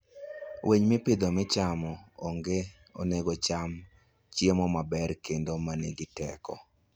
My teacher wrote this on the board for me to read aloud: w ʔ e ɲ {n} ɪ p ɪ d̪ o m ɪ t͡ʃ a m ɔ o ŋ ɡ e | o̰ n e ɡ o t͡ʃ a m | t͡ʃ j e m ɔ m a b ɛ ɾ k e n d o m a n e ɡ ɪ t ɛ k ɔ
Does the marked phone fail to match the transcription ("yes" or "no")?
yes